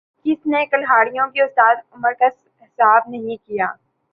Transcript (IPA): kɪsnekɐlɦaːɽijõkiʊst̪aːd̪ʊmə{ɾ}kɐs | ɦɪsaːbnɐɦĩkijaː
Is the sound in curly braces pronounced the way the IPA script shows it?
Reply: yes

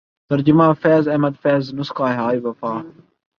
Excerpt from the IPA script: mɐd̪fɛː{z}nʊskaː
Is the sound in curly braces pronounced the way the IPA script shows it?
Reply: yes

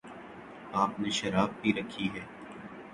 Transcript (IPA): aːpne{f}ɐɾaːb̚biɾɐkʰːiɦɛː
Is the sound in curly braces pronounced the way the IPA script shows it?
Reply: no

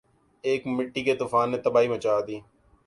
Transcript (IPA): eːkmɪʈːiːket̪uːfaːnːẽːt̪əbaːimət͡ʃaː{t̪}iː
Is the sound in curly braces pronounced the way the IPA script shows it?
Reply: no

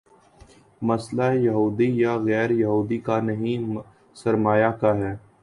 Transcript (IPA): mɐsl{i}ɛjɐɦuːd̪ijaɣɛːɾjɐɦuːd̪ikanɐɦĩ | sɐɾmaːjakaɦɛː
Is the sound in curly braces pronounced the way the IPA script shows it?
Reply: no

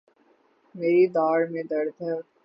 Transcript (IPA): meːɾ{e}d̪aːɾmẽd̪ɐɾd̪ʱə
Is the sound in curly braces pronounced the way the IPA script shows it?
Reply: no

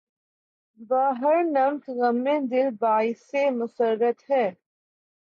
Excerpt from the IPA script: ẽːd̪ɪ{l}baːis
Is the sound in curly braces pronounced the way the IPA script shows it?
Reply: yes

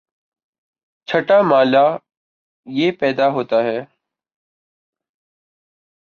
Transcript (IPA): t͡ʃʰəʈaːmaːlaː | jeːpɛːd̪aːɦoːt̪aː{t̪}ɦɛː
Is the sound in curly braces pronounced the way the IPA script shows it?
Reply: no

